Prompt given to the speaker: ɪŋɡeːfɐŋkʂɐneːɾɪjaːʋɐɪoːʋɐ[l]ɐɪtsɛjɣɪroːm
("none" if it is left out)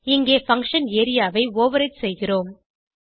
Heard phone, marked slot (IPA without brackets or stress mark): ɾ